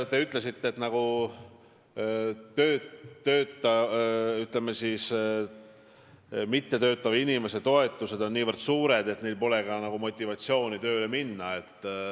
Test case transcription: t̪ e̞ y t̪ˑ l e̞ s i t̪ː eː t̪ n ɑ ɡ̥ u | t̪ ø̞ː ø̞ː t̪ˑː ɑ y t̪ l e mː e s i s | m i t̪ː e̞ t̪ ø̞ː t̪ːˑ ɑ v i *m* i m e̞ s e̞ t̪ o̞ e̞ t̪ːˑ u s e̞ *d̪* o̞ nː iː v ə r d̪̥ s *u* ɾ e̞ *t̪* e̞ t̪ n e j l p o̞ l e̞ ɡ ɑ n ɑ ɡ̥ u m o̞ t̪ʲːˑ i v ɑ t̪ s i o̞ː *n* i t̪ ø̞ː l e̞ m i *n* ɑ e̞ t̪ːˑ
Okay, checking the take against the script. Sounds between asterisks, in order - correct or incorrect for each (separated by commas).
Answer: incorrect, correct, incorrect, incorrect, correct, incorrect